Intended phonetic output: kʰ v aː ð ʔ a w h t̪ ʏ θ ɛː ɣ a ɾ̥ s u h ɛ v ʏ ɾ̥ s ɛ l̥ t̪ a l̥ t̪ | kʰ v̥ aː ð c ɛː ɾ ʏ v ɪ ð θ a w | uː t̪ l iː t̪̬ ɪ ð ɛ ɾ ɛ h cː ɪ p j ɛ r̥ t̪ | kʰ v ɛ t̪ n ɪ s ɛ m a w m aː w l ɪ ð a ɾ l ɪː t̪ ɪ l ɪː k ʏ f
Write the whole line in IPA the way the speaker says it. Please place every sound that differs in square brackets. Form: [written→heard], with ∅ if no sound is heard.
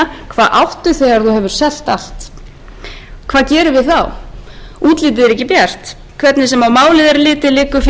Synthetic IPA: kʰ v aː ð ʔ a w h t̪ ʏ θ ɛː ɣ a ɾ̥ [s→θ] u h ɛ v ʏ ɾ̥ s ɛ l̥ t̪ a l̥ t̪ | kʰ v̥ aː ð c ɛː ɾ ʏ v ɪ ð θ a w | uː t̪ l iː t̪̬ ɪ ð ɛ ɾ ɛ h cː ɪ p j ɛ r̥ t̪ | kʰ v ɛ t̪ n ɪ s ɛ m a w m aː w l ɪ ð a ɾ l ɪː t̪ ɪ l ɪː k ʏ f